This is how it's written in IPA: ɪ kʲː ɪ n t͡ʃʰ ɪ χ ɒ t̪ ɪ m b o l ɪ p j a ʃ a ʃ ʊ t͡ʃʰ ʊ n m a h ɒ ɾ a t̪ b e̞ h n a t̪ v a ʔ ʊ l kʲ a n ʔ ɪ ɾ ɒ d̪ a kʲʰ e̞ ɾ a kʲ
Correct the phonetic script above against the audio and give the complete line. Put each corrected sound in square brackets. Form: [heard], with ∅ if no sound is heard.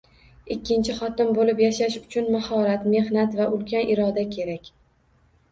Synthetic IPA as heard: ɪ kʲː ɪ n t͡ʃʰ ɪ χ ɒ t̪ ɪ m b o l ɪ p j a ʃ a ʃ ʊ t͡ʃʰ ʊ n m a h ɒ ɾ a t̪ [m] e̞ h n a t̪ v a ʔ ʊ l kʲ a n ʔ ɪ ɾ ɒ d̪ a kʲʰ e̞ ɾ a kʲ